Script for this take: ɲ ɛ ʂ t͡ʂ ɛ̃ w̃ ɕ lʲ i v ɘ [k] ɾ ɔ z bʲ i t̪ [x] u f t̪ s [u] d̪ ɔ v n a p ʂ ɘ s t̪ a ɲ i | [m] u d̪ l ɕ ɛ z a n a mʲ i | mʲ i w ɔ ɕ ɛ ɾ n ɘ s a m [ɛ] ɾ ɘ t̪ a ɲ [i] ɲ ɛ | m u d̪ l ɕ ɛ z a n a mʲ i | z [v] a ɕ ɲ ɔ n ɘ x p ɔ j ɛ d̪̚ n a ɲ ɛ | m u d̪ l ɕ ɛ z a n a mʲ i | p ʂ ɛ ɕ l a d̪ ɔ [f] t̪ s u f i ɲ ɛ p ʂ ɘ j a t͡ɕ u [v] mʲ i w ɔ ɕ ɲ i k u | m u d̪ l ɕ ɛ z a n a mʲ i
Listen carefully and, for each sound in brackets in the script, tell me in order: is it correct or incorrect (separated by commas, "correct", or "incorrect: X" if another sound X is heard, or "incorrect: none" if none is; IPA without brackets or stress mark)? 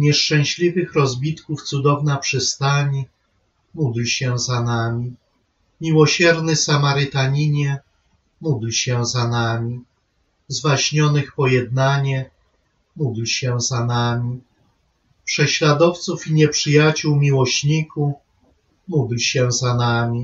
incorrect: x, incorrect: k, correct, correct, incorrect: a, correct, correct, correct, incorrect: w